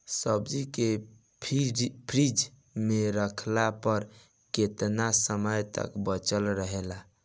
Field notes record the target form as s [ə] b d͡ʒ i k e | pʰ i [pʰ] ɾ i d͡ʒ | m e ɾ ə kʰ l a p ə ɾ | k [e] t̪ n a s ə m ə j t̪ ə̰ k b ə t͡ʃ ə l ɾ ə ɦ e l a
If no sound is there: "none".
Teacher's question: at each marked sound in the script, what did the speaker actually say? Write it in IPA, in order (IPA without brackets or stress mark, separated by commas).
ə, pʰ, e